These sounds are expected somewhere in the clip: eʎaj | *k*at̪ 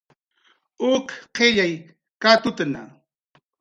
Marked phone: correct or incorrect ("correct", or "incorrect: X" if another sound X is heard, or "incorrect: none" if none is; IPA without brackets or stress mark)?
correct